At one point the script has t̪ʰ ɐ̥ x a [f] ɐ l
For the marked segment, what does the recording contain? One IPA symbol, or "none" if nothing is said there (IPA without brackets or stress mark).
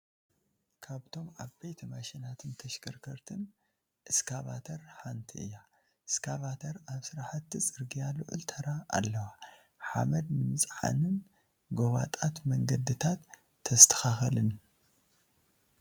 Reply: x